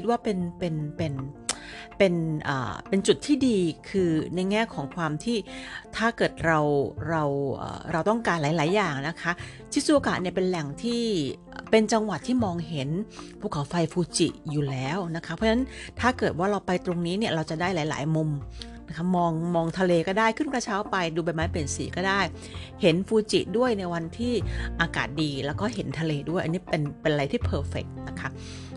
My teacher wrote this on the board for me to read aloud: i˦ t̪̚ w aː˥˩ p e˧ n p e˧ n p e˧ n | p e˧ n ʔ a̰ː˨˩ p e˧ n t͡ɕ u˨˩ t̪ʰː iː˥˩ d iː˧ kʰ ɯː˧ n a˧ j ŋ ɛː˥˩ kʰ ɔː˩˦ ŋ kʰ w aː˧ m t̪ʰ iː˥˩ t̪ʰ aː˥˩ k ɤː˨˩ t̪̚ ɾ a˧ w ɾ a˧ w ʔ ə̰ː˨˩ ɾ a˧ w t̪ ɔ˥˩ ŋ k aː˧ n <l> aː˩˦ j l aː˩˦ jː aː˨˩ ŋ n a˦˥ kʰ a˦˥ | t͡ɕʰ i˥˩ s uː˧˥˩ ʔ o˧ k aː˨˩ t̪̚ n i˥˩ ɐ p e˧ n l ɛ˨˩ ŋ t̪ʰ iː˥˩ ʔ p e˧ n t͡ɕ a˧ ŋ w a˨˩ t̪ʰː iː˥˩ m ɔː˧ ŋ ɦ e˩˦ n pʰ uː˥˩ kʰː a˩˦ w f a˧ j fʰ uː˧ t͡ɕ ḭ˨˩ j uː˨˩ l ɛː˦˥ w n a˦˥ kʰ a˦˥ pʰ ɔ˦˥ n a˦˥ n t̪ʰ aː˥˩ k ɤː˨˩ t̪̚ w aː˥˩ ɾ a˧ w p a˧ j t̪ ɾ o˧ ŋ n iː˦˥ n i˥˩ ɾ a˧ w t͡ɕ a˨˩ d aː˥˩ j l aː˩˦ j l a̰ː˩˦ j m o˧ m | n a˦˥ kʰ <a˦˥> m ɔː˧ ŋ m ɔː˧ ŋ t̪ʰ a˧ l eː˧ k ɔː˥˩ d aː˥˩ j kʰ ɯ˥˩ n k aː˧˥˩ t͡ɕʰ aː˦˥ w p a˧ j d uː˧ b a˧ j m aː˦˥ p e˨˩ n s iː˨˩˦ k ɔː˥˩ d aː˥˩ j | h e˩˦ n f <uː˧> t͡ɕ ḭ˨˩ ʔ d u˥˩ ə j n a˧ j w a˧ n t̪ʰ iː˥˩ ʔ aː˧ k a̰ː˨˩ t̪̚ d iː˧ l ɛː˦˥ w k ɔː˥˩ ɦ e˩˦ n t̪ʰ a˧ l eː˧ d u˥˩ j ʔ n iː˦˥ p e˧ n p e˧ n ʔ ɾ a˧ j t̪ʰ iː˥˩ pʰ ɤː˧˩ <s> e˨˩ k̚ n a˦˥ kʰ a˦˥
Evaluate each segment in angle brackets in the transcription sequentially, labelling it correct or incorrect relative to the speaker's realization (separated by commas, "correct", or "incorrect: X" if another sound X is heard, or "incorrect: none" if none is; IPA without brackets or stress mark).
correct, correct, correct, incorrect: f